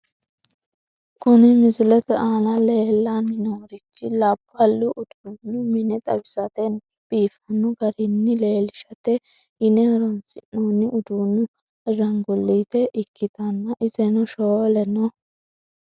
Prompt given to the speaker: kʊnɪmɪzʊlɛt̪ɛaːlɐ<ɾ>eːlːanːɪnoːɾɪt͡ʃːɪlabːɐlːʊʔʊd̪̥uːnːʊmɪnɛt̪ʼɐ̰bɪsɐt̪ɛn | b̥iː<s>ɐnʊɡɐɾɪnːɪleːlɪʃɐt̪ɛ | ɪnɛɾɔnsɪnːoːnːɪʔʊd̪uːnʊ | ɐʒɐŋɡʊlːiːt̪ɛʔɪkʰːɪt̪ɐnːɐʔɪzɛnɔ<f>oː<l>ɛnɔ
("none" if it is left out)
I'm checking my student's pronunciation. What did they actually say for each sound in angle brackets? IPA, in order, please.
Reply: l, f, ʃ, l

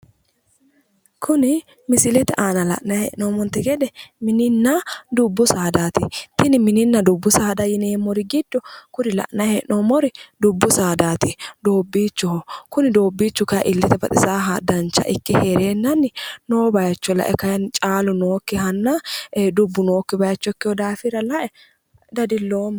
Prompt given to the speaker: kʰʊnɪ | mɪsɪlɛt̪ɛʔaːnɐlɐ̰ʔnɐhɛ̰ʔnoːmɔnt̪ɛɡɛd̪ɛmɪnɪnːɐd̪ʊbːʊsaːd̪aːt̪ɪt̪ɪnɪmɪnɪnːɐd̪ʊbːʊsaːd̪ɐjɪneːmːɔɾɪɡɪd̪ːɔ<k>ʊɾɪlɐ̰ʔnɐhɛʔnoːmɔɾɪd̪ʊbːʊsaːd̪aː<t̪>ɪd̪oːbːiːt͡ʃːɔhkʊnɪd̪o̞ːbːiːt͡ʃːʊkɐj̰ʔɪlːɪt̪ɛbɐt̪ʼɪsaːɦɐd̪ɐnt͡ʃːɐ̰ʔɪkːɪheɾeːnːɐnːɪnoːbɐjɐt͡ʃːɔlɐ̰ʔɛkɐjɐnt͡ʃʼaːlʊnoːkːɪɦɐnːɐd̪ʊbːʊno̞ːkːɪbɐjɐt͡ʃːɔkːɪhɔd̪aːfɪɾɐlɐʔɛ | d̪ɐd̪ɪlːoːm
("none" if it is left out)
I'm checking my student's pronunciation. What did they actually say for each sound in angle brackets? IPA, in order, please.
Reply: k, t̪

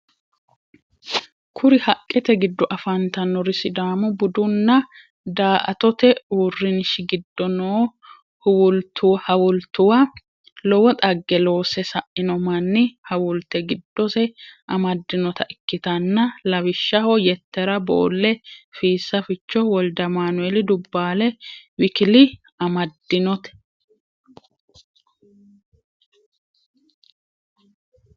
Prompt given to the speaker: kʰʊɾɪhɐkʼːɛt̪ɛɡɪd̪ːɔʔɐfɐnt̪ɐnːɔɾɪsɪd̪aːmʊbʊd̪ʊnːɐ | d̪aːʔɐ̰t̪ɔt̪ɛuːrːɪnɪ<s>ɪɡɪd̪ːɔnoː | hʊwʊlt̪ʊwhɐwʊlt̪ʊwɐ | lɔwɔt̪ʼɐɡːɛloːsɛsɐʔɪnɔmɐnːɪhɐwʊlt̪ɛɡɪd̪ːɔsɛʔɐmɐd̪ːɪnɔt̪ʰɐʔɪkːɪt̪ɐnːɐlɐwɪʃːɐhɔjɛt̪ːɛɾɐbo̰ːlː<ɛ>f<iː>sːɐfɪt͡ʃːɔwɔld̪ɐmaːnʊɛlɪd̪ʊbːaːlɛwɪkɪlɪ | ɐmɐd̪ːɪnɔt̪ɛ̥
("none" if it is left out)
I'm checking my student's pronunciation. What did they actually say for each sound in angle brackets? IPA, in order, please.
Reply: ʃ, ɛ, iː

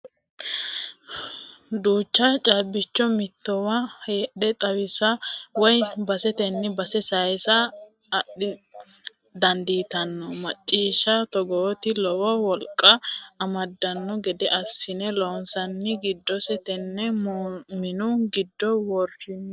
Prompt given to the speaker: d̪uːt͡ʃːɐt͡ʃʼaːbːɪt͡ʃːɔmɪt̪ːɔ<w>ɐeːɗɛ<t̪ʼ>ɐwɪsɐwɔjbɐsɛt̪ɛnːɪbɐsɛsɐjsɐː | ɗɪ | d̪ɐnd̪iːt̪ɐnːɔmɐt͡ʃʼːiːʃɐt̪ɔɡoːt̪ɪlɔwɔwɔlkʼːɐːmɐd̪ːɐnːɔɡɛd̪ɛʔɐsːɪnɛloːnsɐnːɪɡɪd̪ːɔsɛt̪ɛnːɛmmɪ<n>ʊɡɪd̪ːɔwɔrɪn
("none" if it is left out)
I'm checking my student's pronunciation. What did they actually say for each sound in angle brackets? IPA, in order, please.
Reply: w, t̪ʼ, n

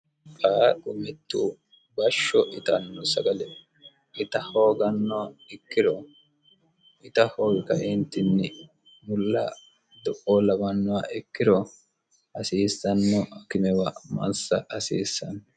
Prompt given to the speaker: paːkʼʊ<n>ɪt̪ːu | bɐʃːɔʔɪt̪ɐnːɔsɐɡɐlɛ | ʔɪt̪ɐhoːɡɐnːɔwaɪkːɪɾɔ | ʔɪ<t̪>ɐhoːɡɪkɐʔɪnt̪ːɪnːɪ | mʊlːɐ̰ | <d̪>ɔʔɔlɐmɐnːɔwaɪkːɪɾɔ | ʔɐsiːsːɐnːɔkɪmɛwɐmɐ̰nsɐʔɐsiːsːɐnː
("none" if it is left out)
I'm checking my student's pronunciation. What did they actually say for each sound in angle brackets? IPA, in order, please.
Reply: m, t̪, d̪

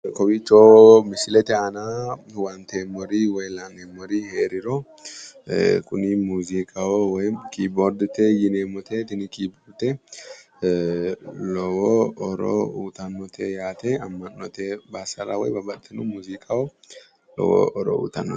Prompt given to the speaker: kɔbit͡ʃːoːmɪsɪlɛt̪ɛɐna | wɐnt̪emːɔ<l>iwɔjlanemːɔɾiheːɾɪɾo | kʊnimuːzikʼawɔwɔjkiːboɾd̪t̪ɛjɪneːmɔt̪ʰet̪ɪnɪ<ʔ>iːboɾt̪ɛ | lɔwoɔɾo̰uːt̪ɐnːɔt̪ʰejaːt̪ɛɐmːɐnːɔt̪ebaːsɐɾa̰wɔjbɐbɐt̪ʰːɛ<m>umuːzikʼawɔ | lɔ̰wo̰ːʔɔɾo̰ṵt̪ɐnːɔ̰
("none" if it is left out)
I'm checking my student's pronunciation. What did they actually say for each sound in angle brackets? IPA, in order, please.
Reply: ɾ, k, n

